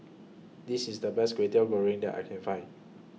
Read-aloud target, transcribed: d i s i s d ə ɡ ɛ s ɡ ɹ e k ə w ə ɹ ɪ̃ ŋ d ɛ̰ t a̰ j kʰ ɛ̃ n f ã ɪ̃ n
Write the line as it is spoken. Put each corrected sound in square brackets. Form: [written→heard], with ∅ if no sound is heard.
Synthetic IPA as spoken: d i s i s d ə [ɡ→b] ɛ s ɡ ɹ e [k→t] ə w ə ɹ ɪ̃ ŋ d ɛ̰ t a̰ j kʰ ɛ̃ n f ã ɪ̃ n